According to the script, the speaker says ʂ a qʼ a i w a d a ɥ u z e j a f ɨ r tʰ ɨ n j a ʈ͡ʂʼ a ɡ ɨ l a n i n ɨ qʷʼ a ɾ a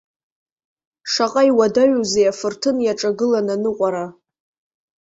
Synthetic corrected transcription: ʂ a qʼ a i w a d a ɥ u z e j a f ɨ r tʰ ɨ n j a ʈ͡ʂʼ a ɡ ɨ l a n a n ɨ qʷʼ a ɾ a

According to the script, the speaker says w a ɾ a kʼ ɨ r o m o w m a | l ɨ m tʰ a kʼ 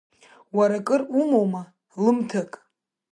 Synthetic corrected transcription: w a ɾ a kʼ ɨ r u m o w m a | l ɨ m tʰ a kʼ

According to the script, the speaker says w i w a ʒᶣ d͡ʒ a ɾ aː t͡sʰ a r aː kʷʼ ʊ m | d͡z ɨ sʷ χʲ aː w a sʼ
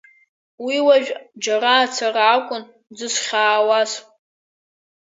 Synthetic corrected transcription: w i w a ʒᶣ d͡ʒ a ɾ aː t͡sʰ a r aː kʷʼ ʊ n | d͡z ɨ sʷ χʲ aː w a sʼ

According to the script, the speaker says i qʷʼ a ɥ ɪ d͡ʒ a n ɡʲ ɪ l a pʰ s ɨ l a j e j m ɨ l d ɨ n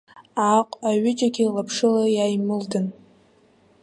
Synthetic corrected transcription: a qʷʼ a ɥ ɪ d͡ʒ a ɡʲ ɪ l a pʰ ʂ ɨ l a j a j m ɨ l d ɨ n

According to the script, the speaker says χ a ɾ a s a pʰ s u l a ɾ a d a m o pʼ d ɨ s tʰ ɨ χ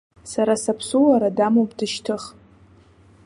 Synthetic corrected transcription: s a ɾ a s a pʰ s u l a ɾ a d a m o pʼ d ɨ ʃ tʰ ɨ χ

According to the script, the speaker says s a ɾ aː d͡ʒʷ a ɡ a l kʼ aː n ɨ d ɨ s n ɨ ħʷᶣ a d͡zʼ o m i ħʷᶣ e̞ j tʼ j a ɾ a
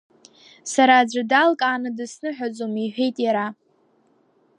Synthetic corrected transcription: s a ɾ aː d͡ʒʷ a d a l kʼ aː n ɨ d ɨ s n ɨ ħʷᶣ a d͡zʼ o m i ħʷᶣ e̞ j tʼ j a ɾ a

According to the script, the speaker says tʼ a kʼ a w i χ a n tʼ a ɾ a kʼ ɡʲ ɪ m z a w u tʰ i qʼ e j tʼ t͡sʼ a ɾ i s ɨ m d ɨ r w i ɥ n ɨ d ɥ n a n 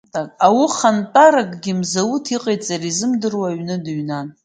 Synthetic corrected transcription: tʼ a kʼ a w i χ a n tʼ a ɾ a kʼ ɡʲ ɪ m z a w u tʰ i qʼ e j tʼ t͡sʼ a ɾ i z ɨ m d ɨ r w a ɥ n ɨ d ɥ n a n

